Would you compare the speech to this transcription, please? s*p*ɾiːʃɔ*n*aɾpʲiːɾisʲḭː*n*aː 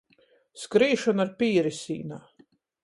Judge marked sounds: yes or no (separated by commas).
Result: no, yes, yes